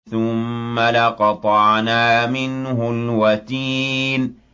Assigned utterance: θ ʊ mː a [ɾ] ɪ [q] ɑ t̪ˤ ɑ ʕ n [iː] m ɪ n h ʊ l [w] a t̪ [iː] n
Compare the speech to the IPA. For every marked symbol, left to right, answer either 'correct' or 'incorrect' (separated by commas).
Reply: incorrect, correct, incorrect, correct, correct